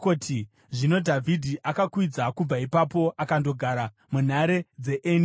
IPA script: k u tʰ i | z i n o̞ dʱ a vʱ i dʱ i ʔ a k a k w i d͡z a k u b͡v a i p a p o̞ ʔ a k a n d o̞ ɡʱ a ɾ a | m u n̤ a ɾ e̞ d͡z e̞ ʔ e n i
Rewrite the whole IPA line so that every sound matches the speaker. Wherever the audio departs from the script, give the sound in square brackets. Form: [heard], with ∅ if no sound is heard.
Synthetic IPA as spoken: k [o] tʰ i | [ʐ] i n o̞ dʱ a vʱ i dʱ i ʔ a k a k w i d͡z a k u b͡v a i p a p o̞ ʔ a k a n d o̞ ɡʱ a ɾ a | m u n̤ a ɾ e̞ d͡z e̞ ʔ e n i